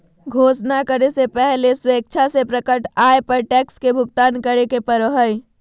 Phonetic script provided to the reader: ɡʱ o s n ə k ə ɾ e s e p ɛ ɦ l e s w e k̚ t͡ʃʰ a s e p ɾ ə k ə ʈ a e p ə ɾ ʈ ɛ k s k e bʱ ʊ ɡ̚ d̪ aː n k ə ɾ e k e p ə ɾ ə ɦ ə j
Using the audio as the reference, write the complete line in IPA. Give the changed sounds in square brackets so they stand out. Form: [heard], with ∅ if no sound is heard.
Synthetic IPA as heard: ɡʱ o s n [a] k ə ɾ e s e p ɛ ɦ l e s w e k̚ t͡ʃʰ a s e p ɾ ə k ə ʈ a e p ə ɾ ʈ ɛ k s k e bʱ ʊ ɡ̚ [t̪] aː n k ə ɾ e k e p ə ɾ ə ɦ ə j